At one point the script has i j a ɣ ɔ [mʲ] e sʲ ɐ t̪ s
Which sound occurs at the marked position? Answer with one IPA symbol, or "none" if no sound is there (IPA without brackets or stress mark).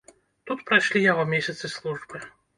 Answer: mʲ